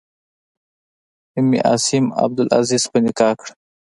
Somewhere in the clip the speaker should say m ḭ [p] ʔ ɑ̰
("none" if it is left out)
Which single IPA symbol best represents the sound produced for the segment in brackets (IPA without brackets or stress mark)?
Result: none